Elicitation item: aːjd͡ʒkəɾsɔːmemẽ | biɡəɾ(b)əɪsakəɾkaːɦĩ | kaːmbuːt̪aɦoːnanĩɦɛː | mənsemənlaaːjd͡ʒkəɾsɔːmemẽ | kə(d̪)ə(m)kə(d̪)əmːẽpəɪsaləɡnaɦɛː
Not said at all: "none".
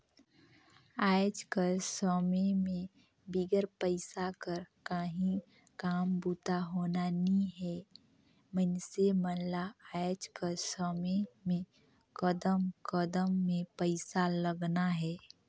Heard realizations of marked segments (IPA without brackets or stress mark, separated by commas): p, d̪, m, d̪